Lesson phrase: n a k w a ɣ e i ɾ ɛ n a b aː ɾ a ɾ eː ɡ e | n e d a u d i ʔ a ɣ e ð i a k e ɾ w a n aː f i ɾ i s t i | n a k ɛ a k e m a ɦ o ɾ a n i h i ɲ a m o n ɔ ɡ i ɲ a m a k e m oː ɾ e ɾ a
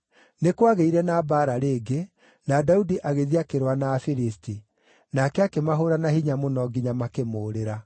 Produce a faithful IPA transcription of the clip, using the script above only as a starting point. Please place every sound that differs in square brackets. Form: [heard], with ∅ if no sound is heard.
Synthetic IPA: n [e] k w a ɣ e i ɾ ɛ n a b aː ɾ a ɾ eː ɡ e | n [a] d a u d i ʔ a ɣ e ð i a k e ɾ w a n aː f i ɾ i s t i | n a k ɛ a k e m a ɦ o ɾ a n [a] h i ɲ a m o n ɔ ɡ i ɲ a m a k e m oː ɾ e ɾ a